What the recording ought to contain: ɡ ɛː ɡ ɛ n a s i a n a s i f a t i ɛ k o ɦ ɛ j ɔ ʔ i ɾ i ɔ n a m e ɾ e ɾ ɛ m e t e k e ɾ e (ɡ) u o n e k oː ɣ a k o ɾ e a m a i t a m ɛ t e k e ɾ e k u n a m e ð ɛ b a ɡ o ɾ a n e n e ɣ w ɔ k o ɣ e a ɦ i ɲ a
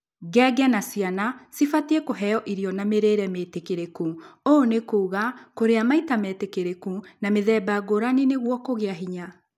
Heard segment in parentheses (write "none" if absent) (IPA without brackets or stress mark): k